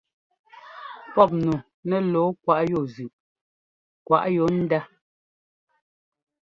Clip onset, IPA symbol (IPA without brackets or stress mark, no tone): p